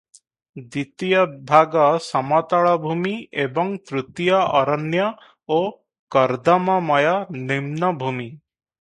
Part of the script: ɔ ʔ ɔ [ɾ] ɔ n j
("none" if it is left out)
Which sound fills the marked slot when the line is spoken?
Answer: ɾ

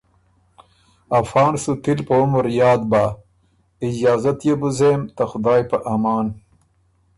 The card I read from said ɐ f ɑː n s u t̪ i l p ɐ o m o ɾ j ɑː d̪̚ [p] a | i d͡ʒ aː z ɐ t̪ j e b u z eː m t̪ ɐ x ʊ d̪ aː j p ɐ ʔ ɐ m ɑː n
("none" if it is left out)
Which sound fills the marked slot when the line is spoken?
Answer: b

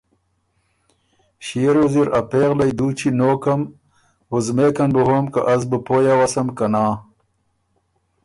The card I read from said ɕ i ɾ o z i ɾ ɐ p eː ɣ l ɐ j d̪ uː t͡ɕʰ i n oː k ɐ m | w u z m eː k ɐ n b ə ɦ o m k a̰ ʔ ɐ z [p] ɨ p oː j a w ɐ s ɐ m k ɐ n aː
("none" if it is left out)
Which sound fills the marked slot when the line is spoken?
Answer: b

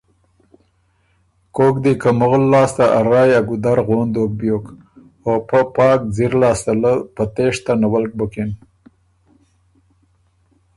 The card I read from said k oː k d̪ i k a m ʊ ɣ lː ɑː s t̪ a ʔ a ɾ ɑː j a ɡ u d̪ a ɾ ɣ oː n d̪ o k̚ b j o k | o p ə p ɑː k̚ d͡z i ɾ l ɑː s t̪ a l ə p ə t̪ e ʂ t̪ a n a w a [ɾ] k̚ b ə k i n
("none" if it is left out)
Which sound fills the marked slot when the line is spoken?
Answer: l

